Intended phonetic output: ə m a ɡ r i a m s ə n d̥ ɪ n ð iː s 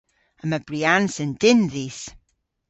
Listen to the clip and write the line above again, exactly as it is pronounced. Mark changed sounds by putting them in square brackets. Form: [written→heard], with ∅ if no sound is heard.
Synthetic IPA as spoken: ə m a [ɡ→b] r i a [m→n] s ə n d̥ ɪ n ð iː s